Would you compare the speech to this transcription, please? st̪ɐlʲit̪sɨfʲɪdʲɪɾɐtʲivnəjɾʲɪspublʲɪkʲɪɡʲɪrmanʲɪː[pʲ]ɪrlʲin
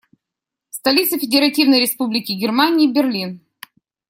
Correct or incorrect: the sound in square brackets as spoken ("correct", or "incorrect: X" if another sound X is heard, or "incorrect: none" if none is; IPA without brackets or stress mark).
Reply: incorrect: bʲ